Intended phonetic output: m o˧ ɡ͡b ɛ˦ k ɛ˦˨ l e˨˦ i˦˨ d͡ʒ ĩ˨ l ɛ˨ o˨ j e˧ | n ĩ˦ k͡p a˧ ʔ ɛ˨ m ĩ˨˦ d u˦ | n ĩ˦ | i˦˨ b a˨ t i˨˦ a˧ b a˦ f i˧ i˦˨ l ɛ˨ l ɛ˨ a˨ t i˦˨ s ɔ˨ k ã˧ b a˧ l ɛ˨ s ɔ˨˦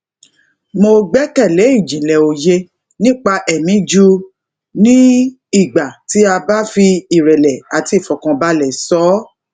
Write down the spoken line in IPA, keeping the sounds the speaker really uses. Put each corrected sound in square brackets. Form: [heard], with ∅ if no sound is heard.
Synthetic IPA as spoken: m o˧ ɡ͡b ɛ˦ k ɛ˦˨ l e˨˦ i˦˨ d͡ʒ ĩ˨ l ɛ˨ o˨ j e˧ | n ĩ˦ k͡p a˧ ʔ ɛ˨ m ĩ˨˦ [d͡ʒ] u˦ | n ĩ˦ | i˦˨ [ɡ͡b] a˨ t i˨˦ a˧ b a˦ f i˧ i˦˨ [ɾ] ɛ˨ l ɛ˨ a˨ t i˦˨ [f] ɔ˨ k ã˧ b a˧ l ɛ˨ s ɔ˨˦